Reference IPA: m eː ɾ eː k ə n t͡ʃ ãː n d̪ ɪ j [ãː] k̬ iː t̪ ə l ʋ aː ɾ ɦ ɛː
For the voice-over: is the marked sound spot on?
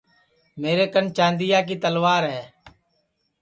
no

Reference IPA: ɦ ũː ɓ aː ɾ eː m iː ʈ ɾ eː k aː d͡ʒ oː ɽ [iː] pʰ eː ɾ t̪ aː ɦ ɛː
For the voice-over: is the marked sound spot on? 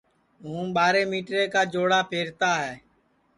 no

